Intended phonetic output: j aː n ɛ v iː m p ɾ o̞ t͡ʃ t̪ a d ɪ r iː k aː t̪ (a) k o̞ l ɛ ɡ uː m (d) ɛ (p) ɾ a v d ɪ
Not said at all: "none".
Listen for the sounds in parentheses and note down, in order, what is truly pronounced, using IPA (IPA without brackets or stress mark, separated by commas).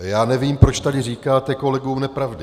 ɛ, n, p